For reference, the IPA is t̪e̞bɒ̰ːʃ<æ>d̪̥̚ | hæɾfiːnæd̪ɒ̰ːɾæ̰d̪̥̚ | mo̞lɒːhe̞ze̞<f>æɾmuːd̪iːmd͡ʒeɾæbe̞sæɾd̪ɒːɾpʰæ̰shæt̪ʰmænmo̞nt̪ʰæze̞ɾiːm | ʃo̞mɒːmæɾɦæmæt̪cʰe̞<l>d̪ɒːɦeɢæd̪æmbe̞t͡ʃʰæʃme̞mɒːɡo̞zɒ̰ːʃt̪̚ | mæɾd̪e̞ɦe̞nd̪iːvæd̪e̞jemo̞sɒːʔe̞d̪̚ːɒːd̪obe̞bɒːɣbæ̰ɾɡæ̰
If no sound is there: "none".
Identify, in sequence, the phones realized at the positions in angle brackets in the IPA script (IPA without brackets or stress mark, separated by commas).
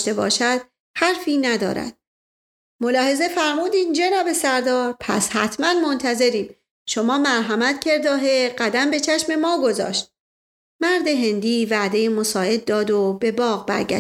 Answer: æ, f, ɾ